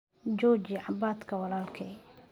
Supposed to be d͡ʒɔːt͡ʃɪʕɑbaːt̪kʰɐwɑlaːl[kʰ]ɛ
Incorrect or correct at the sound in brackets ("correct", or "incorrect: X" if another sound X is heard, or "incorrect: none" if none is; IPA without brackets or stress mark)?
correct